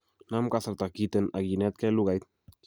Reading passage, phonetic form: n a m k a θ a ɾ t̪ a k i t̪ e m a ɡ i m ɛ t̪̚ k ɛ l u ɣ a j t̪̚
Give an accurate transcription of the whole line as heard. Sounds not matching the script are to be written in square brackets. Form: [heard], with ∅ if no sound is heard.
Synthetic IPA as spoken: n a m k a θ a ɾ t̪ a k i t̪ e [n] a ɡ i [n] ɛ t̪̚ k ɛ l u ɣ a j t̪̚